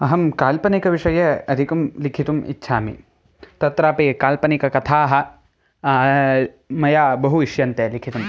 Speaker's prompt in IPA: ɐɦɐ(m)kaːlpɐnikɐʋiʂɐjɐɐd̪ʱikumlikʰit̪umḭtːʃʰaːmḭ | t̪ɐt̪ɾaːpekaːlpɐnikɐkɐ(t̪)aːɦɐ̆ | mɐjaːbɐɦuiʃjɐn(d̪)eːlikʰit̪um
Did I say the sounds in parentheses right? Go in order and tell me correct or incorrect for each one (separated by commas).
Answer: correct, incorrect, incorrect